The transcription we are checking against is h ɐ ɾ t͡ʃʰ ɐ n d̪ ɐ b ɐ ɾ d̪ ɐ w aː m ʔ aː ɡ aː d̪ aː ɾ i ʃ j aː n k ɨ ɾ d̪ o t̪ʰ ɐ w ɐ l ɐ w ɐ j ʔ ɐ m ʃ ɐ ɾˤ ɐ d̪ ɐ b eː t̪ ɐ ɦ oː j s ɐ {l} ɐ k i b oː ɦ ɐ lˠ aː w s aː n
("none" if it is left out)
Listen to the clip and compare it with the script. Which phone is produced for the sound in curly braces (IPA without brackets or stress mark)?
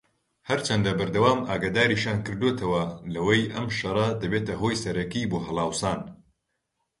ɾ